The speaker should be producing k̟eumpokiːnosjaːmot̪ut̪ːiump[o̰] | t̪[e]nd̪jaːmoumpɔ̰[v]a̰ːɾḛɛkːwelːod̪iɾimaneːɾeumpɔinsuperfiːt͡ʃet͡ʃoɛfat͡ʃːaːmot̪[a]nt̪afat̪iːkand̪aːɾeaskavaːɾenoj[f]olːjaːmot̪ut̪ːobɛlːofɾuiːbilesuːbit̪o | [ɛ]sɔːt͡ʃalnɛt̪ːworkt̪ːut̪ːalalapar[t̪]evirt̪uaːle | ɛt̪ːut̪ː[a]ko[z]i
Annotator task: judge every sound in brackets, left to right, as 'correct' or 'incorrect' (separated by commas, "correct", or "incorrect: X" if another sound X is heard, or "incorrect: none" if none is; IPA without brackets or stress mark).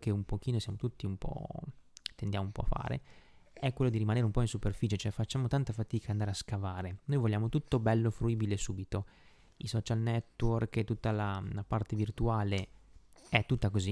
incorrect: ɔ̰, correct, incorrect: f, correct, incorrect: v, incorrect: i, correct, correct, correct